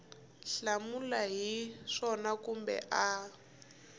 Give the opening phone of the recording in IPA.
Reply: ɬ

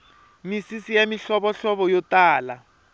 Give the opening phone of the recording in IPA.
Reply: m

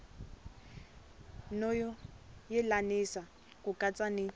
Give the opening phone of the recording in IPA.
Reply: n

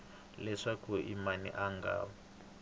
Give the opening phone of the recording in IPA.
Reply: l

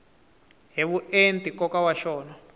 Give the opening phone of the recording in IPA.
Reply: ɦ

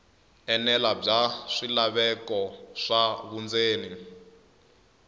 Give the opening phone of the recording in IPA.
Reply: ɛ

